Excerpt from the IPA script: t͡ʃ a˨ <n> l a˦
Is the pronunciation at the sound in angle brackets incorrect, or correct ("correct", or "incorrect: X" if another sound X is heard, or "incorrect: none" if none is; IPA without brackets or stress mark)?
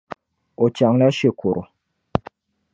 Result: incorrect: ŋ